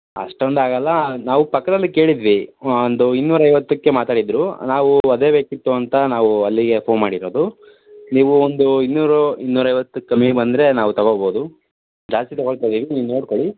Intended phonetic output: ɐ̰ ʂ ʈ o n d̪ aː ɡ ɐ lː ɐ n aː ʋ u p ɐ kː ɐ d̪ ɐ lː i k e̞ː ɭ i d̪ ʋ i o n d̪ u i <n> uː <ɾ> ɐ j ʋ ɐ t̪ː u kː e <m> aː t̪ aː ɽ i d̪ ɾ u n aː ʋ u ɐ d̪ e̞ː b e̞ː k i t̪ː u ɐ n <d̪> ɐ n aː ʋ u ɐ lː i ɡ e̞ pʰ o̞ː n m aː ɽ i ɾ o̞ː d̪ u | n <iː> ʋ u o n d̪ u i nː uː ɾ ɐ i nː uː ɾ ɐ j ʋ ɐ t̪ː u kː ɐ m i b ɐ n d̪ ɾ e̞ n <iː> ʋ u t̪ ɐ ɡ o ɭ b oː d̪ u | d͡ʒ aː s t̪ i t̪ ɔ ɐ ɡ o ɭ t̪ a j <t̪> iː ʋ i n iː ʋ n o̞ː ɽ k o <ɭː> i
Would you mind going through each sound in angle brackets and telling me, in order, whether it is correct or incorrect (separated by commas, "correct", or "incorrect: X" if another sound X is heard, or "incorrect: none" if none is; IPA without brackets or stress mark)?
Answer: incorrect: nː, correct, correct, incorrect: t̪, correct, incorrect: aː, incorrect: d̪, incorrect: ɭ